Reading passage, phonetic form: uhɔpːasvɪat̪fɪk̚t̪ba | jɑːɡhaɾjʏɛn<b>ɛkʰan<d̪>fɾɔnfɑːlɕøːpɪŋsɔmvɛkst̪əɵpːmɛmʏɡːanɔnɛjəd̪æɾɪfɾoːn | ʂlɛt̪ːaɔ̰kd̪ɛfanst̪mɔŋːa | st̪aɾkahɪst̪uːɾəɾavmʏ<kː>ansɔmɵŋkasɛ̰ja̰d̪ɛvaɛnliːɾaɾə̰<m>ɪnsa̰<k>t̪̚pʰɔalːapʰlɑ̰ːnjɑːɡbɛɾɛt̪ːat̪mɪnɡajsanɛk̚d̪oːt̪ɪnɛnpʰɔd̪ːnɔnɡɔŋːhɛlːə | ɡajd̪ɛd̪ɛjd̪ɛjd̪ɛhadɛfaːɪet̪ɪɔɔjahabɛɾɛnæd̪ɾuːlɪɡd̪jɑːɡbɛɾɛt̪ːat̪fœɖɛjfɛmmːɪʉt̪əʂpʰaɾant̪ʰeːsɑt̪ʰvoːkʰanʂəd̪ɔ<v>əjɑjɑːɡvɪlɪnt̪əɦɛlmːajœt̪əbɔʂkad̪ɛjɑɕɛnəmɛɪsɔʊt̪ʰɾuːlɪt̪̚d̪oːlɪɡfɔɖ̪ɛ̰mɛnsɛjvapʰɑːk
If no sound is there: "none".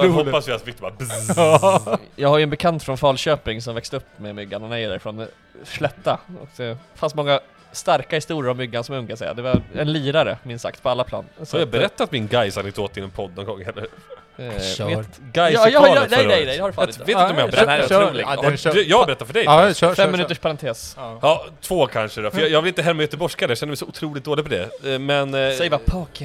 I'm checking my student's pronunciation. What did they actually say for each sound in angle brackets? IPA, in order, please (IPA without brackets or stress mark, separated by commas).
b, t̪, ɡː, m, k, f